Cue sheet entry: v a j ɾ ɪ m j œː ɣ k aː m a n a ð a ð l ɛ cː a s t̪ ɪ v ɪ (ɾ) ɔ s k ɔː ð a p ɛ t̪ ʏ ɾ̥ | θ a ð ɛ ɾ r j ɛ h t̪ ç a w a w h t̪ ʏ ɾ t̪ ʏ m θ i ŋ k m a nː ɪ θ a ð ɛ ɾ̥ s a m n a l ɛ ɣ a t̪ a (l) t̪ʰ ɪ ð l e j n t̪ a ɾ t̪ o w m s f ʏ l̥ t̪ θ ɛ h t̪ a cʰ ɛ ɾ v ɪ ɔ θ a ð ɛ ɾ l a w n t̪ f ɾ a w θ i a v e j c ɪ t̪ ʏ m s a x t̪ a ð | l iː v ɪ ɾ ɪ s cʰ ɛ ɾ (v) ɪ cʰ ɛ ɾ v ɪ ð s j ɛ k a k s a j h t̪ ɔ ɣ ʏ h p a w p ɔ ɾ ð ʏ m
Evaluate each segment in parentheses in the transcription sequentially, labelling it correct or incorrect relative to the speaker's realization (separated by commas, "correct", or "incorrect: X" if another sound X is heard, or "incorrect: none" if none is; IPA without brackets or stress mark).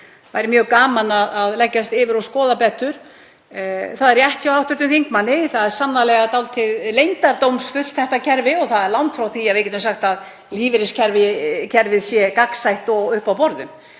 correct, correct, correct